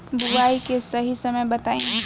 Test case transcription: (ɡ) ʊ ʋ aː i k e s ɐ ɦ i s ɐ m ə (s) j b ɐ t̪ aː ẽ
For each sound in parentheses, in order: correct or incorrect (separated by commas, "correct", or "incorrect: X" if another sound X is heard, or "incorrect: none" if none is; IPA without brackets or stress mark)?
incorrect: b, incorrect: none